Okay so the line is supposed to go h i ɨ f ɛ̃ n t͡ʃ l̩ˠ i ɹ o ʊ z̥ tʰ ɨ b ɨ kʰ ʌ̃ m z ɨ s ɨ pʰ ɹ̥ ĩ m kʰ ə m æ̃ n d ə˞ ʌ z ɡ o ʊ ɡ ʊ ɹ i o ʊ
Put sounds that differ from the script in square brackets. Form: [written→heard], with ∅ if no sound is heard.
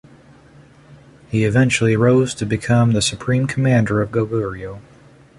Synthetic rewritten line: h i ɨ [f→v] ɛ̃ n t͡ʃ l̩ˠ i ɹ o ʊ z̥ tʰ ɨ b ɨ kʰ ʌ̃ m [z→ð] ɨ s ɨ pʰ ɹ̥ ĩ m kʰ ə m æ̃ n d ə˞ ʌ [z→v] ɡ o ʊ ɡ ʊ ɹ i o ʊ